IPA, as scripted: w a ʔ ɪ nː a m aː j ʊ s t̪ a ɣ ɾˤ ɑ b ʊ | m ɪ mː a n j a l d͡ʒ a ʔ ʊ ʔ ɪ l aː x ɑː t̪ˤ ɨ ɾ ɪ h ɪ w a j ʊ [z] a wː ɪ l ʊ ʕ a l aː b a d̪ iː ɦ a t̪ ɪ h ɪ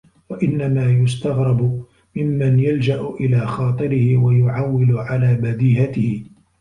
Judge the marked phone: incorrect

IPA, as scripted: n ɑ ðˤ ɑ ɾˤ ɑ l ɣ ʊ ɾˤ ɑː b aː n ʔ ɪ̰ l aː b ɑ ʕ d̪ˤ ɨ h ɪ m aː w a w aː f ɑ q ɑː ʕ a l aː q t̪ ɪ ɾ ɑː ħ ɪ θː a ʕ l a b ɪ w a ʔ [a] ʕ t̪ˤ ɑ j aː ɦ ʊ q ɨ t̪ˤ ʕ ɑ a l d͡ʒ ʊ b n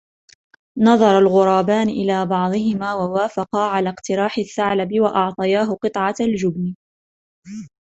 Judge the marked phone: incorrect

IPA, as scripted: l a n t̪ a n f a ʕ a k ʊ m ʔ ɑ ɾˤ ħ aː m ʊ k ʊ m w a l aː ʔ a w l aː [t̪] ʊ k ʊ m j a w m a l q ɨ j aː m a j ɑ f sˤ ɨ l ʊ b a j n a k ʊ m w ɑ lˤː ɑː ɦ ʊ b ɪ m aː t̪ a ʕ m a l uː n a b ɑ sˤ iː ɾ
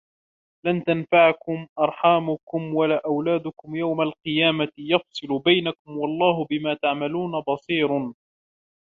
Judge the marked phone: incorrect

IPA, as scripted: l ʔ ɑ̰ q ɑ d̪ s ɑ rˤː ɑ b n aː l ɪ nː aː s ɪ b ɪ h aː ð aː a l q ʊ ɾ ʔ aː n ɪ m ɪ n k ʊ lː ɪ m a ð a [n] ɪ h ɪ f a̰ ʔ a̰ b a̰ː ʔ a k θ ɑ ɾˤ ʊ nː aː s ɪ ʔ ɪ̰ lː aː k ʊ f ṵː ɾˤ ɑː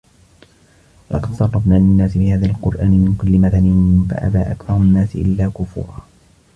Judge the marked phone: correct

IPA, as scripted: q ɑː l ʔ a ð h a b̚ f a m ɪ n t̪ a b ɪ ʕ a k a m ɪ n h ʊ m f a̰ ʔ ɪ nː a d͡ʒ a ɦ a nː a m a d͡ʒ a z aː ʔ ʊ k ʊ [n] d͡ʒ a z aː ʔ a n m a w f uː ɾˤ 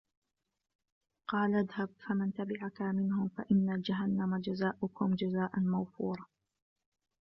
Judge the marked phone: incorrect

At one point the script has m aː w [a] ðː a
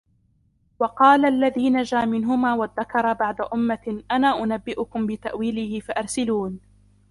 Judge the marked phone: correct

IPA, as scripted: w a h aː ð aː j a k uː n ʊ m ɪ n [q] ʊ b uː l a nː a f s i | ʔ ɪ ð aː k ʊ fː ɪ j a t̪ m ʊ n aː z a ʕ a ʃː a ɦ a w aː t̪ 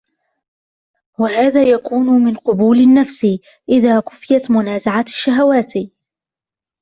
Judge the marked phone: correct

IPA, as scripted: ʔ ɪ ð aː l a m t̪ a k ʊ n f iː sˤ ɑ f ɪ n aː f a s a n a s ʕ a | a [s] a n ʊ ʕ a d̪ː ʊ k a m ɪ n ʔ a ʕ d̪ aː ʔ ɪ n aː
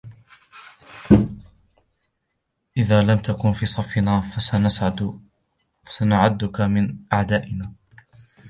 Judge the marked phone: correct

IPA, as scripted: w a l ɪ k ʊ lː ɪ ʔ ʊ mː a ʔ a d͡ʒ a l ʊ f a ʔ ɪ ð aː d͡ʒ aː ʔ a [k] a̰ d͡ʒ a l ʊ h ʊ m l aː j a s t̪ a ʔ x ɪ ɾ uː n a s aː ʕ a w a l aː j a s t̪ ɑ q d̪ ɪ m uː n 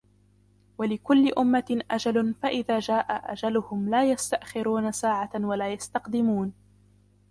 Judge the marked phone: incorrect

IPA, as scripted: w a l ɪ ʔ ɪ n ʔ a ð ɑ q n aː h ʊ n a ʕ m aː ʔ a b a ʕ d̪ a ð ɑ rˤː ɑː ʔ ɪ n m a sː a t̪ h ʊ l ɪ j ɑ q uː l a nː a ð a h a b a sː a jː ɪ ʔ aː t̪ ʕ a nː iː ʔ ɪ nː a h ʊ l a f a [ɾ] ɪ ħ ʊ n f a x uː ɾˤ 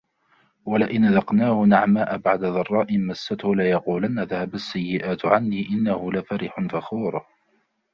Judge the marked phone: correct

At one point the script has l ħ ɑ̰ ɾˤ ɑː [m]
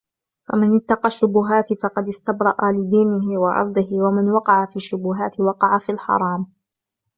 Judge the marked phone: correct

